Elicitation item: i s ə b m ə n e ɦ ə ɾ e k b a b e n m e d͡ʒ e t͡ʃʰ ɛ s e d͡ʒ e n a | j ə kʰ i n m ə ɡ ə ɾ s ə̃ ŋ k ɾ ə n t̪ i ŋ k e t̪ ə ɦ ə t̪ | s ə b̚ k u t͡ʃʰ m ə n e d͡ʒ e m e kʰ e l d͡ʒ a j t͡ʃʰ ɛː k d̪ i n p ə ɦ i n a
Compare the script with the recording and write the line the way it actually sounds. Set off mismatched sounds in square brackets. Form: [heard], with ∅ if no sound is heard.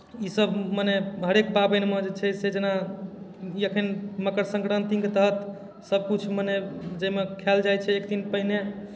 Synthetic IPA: i s ə b m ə n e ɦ ə ɾ e k b a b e n m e d͡ʒ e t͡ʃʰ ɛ s e d͡ʒ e n a | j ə kʰ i n m ə [k] ə ɾ s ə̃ ŋ k ɾ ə n t̪ i ŋ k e t̪ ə ɦ ə t̪ | s ə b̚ k u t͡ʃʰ m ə n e d͡ʒ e m e kʰ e l d͡ʒ a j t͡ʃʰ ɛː k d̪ i n p ə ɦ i n [e]